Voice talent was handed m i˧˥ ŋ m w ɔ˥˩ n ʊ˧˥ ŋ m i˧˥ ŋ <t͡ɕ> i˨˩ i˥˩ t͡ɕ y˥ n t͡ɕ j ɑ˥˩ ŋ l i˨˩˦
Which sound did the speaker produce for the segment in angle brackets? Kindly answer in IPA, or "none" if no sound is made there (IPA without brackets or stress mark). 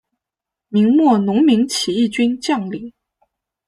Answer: t͡ɕʰ